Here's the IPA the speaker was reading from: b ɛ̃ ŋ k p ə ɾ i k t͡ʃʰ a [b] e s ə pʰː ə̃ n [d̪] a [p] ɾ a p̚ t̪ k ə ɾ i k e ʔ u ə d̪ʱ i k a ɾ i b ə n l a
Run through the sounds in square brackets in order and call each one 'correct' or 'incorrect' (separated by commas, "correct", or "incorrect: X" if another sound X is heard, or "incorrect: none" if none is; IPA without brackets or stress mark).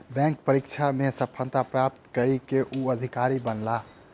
incorrect: m, incorrect: t̪, correct